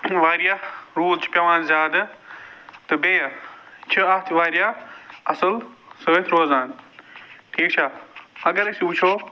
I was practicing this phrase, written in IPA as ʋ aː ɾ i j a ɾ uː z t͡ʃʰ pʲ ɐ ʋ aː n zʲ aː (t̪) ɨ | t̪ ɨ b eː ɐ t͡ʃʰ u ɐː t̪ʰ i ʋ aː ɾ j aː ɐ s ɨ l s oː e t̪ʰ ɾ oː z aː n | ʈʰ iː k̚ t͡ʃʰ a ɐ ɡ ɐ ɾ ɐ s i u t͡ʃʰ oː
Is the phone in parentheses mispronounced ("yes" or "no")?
yes